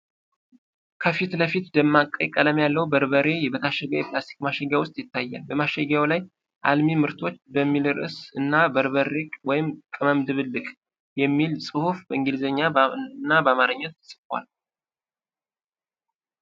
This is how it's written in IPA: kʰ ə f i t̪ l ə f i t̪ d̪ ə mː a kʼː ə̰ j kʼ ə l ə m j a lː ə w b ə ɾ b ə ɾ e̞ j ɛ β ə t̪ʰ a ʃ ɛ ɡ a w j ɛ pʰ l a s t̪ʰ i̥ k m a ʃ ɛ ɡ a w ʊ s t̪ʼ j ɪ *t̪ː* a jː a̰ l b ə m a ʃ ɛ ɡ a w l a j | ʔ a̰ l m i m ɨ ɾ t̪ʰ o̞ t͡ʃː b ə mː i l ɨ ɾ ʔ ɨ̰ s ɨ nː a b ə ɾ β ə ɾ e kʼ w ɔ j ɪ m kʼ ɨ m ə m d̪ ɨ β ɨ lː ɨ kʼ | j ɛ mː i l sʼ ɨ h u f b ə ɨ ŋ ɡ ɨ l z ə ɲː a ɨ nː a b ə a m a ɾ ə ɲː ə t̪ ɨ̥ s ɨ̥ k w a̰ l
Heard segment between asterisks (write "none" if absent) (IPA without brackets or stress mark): t̪ː